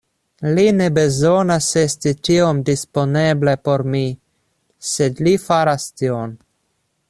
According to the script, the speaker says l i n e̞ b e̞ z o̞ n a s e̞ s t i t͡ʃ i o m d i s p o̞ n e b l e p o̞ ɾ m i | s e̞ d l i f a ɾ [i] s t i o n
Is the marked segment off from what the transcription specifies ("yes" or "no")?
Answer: yes